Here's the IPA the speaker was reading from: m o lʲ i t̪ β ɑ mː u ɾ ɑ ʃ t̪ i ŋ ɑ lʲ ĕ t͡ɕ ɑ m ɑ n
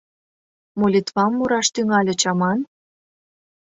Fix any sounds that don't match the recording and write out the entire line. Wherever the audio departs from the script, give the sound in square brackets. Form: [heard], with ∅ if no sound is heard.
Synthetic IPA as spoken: m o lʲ i t̪ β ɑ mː u ɾ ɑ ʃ t̪ [y] ŋ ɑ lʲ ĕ t͡ɕ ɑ m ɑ n